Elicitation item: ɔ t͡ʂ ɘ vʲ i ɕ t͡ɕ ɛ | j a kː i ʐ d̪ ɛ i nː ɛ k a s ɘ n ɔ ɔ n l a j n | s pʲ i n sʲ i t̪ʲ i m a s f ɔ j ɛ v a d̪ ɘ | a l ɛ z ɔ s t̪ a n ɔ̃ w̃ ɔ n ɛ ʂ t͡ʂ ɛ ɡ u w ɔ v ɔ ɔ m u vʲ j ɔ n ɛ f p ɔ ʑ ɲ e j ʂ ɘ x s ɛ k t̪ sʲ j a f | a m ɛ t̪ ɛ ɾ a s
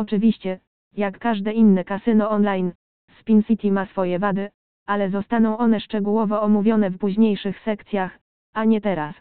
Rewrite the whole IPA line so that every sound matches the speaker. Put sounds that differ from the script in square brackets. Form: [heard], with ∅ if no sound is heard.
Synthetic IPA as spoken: ɔ t͡ʂ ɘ vʲ i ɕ t͡ɕ ɛ | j a kː [a] ʐ d̪ ɛ i nː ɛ k a s ɘ n ɔ ɔ n l a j n | s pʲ i n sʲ i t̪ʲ i m a s f ɔ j ɛ v a d̪ ɘ | a l ɛ z ɔ s t̪ a n ɔ̃ w̃ ɔ n ɛ ʂ t͡ʂ ɛ ɡ u w ɔ v ɔ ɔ m u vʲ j ɔ n ɛ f p [u] ʑ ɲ e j ʂ ɘ x s ɛ k t̪ sʲ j a [x] | a [ɲ] ɛ t̪ ɛ ɾ a s